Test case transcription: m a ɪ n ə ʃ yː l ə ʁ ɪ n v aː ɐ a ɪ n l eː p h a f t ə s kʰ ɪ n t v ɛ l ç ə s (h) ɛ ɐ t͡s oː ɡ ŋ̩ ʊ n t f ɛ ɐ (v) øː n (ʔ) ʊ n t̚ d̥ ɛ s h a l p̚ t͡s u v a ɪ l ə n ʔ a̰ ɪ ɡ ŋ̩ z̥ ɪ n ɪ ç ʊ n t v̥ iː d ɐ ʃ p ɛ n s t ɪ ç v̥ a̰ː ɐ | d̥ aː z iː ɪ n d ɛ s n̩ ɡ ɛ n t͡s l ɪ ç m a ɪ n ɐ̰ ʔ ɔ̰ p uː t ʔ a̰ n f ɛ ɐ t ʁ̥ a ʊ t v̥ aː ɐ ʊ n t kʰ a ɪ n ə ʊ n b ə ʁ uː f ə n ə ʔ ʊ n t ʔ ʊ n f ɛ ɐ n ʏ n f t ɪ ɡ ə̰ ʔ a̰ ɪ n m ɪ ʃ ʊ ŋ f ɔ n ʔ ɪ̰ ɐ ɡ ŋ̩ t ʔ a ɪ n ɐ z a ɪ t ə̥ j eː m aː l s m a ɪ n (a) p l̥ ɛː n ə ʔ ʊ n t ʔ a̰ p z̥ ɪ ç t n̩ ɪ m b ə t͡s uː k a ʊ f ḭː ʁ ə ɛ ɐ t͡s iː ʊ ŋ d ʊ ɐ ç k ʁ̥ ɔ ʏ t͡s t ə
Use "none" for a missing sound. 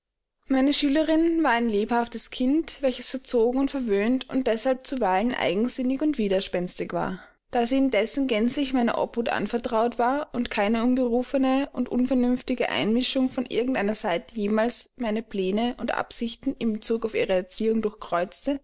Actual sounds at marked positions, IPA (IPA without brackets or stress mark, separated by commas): f, v, t, ə